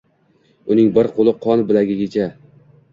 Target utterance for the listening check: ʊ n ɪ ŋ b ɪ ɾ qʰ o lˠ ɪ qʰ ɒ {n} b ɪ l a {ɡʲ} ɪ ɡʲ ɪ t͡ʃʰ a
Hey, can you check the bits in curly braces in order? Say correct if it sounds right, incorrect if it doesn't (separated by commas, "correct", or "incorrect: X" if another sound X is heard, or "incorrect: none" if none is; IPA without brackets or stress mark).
correct, correct